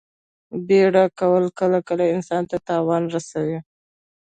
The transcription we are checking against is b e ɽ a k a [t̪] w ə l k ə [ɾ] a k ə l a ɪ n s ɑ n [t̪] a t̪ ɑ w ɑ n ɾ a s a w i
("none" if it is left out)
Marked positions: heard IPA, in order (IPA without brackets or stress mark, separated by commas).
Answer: none, l, t̪